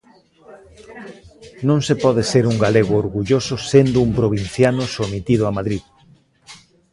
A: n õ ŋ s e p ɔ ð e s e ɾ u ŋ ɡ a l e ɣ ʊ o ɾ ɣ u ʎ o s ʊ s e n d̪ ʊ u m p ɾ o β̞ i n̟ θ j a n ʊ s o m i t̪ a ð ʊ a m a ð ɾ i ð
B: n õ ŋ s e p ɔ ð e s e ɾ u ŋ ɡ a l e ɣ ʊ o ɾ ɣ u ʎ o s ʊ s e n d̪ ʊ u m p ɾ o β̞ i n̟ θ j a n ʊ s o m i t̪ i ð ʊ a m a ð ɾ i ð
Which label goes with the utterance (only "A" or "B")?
B